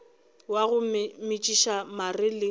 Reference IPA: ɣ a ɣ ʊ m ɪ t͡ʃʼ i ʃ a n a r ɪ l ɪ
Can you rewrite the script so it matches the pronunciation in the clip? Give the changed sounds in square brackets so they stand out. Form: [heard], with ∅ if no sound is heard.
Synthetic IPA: [w] a ɣ ʊ m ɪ t͡ʃʼ i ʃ a [m] a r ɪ l ɪ